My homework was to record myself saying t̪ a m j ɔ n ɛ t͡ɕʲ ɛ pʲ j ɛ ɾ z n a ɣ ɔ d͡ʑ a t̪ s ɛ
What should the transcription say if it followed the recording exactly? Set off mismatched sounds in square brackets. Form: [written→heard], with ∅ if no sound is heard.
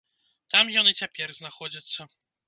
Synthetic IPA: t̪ a m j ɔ n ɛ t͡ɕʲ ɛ pʲ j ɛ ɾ z n a [ɣ→x] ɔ d͡ʑ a t̪ s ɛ